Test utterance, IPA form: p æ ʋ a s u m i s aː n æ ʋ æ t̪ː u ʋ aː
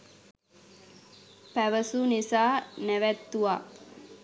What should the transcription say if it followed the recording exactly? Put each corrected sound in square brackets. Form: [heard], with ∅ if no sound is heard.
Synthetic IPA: p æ ʋ [ə] s u [n] i s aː n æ ʋ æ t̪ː u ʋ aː